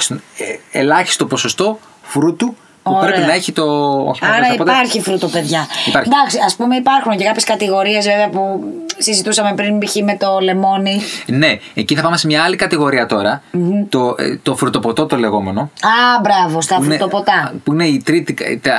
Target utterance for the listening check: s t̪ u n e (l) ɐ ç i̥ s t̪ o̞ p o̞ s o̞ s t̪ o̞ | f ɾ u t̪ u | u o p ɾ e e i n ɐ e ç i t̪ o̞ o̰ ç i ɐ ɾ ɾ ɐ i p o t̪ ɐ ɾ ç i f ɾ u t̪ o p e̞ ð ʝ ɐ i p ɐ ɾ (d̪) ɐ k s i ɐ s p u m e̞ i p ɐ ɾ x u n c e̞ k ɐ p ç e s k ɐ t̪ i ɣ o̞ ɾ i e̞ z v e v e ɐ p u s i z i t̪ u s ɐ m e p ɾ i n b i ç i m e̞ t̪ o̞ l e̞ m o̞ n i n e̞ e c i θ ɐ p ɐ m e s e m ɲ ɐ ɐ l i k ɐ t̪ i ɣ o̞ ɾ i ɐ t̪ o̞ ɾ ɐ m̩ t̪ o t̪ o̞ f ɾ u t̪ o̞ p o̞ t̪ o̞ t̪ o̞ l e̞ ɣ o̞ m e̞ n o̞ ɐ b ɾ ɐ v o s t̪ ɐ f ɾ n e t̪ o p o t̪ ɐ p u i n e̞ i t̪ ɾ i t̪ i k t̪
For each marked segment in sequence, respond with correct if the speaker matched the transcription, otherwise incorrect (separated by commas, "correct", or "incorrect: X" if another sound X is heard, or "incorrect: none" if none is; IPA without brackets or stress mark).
correct, correct